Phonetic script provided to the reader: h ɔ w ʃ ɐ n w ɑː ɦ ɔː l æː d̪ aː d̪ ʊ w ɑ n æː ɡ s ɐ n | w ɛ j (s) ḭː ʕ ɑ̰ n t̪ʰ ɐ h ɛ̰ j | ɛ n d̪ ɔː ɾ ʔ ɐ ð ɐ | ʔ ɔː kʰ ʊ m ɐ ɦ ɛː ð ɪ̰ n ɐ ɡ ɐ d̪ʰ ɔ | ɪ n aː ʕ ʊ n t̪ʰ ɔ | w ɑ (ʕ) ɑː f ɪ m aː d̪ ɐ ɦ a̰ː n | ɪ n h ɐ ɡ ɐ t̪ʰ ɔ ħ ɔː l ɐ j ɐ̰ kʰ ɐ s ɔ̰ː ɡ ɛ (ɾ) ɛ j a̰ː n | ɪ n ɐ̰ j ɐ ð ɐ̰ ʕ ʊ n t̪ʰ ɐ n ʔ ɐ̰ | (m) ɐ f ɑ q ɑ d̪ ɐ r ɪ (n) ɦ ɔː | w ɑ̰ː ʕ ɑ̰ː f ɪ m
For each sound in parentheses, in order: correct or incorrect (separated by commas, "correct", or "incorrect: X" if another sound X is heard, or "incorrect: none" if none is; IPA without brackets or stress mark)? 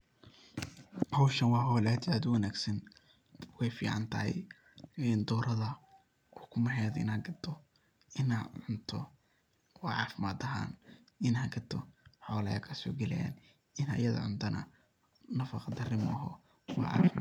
incorrect: f, correct, incorrect: l, incorrect: n, incorrect: m